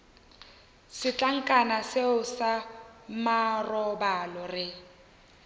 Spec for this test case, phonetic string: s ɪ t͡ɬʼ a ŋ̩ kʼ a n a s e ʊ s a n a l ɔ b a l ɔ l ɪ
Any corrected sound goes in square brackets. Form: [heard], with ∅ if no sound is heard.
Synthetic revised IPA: s ɪ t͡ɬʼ a ŋ̩ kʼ a n a s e ʊ s a [m] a [r] ɔ b a l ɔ [r] ɪ